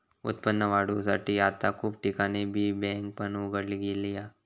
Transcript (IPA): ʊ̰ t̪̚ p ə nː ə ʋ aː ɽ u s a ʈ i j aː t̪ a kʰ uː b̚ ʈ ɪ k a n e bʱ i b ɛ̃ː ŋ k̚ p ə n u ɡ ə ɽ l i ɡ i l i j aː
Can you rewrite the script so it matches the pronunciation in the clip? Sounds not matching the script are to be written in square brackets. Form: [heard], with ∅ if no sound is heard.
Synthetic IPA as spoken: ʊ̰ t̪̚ p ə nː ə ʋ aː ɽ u s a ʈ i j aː t̪ a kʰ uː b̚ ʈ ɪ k a n e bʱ i b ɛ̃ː ŋ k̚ p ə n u ɡ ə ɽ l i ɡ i l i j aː